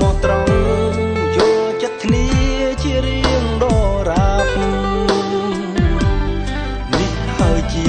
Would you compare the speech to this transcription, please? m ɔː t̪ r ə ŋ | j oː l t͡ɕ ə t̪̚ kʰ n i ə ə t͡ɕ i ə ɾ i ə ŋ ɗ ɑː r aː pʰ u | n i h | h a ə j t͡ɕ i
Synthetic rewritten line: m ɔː t̪ r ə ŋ | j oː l t͡ɕ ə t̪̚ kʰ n i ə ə t͡ɕ i ə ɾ i ə ŋ ɗ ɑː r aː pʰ u | n i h | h a ə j t͡ɕ i